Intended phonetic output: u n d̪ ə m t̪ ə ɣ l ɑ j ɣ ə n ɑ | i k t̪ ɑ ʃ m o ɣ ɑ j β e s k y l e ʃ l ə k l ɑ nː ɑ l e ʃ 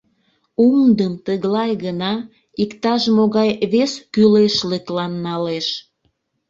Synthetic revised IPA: u m d̪ ə m t̪ ə ɣ l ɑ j ɣ ə n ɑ | i k t̪ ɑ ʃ m o ɣ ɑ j β e s k y l e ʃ l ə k l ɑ nː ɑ l e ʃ